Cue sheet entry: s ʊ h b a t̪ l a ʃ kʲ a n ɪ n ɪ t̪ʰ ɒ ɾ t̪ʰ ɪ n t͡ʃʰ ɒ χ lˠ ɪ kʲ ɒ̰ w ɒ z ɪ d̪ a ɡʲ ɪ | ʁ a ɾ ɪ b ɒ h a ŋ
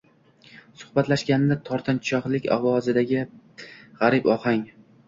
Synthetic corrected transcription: s ʊ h b a t̪ l a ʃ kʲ a n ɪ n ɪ t̪ʰ ɒ ɾ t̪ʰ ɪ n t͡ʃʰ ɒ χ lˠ ɪ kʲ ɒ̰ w ɒ z ɪ d̪ a ɡʲ ɪ | ʁ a ɾ ɪ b ɒ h a ŋ

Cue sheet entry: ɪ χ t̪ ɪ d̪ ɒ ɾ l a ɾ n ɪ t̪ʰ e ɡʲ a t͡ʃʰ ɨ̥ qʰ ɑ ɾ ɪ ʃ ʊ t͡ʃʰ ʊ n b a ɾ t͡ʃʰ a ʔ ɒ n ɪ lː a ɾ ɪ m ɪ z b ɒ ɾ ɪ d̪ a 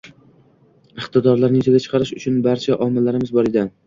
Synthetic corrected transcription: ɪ χ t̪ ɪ d̪ ɒ ɾ l a ɾ n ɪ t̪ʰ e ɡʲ a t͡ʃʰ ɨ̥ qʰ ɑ ɾ ɪ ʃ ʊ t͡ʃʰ ʊ n b a ɾ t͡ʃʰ a ʔ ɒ m ɪ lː a ɾ ɪ m ɪ z b ɒ ɾ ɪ d̪ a

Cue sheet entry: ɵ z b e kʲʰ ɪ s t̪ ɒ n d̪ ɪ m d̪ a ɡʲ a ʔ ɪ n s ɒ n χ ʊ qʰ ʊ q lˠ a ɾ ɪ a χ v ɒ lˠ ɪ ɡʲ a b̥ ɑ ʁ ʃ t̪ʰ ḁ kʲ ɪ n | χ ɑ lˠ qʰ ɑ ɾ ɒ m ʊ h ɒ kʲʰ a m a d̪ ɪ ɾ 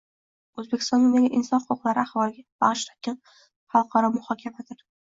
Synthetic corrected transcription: ɵ z b e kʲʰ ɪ s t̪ ɒ n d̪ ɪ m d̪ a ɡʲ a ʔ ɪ n s ɒ n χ ʊ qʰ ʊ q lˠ a ɾ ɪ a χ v ɒ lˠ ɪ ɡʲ a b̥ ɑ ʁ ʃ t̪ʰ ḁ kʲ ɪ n | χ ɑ lˠ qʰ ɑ ɾ ɒ m ʊ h ɒ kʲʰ a m a d̪ ɪ ɾ

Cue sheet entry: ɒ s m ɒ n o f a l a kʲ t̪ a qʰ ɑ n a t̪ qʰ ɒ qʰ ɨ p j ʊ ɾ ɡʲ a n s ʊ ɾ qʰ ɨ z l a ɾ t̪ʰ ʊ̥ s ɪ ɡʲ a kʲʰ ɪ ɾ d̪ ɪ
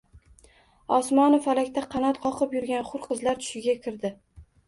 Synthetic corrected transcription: ɒ s m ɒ n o f a l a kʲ t̪ a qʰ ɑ n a t̪ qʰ ɒ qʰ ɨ p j ʊ ɾ ɡʲ a n χ ʊ ɾ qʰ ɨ z l a ɾ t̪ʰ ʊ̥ ʃ ɪ ɡʲ a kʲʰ ɪ ɾ d̪ ɪ

